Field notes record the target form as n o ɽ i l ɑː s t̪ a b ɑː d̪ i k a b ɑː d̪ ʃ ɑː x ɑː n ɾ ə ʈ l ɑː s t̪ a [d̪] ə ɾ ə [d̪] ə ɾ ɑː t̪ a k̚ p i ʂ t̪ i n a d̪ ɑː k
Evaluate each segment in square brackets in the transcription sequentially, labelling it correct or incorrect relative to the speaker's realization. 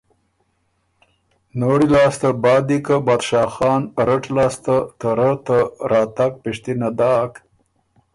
incorrect: t̪, incorrect: t̪

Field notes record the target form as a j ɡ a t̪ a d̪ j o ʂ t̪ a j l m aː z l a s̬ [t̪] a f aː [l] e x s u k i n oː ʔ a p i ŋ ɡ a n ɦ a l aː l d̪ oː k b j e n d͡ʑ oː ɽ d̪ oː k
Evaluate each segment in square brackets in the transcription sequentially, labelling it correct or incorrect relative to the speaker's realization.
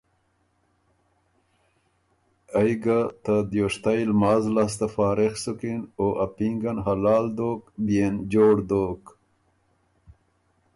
correct, incorrect: ɾ

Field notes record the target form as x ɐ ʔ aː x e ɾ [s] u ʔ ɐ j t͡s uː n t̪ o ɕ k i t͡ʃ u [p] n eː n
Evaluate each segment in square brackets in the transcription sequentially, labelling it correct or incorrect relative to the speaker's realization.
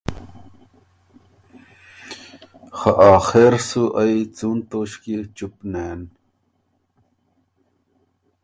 correct, correct

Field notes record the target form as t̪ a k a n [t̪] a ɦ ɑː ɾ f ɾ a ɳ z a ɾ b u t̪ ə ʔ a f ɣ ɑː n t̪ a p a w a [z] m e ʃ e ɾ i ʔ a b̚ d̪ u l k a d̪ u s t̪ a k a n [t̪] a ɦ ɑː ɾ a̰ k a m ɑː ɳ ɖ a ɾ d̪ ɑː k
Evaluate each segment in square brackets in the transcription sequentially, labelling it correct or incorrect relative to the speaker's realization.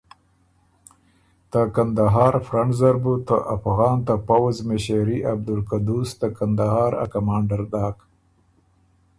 incorrect: d̪, correct, incorrect: d̪

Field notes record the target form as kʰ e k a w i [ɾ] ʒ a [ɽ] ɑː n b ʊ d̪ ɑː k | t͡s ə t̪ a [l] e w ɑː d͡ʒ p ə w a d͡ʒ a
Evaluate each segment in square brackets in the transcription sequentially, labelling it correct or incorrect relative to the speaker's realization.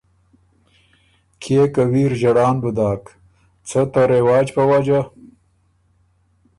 correct, correct, incorrect: ɾ

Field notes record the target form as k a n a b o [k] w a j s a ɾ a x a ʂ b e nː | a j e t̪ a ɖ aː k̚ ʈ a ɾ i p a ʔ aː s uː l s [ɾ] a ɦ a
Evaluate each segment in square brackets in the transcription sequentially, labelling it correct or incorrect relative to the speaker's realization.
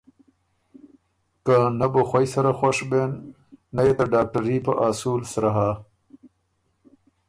incorrect: x, correct

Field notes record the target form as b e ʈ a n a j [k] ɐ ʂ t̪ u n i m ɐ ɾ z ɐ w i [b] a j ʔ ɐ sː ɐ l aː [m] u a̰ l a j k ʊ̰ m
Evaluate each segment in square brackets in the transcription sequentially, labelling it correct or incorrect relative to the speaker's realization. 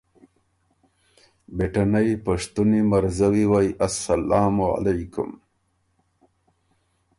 incorrect: p, incorrect: w, correct

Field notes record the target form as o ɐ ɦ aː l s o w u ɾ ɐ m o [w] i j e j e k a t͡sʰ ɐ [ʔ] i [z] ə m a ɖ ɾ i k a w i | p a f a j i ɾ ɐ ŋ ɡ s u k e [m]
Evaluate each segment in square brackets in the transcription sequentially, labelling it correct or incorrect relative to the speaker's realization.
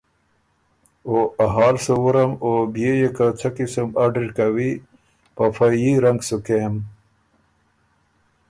incorrect: b, incorrect: k, incorrect: s, correct

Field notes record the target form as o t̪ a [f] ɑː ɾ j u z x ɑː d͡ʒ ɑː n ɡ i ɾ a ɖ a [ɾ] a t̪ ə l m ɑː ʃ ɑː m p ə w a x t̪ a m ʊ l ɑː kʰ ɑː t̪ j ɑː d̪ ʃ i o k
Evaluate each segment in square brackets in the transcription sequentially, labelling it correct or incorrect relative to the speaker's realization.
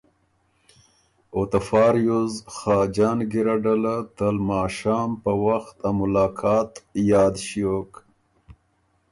correct, incorrect: l

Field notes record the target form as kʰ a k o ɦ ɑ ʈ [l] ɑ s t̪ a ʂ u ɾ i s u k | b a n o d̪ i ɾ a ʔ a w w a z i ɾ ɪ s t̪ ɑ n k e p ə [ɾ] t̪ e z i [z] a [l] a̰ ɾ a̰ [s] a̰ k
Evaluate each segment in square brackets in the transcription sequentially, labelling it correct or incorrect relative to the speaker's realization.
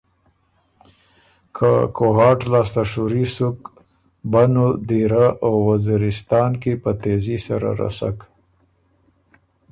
correct, incorrect: none, incorrect: s, incorrect: ɾ, correct

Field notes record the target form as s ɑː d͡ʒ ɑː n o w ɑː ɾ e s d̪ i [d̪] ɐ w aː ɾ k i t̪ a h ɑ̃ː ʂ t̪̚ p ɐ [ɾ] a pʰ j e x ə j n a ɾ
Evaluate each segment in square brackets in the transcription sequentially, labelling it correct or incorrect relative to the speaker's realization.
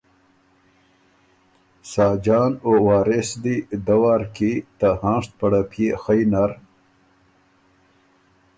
correct, incorrect: ɽ

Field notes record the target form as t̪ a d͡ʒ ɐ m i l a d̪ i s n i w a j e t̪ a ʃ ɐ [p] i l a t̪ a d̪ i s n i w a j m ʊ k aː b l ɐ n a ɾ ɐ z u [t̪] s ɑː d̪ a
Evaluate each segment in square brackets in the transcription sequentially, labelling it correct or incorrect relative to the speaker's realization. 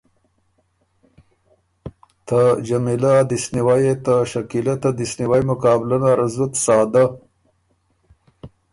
incorrect: k, correct

